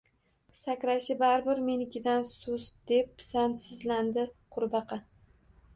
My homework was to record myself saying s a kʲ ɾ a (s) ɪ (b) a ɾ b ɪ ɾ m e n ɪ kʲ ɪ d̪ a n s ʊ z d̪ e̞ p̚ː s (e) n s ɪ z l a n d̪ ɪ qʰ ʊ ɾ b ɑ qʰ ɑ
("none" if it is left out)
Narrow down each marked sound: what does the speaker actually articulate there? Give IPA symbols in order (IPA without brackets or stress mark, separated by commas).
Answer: ʃ, b, a